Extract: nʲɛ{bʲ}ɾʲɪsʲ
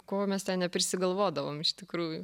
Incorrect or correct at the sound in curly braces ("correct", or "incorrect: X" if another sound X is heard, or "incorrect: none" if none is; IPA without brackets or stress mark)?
incorrect: pʲ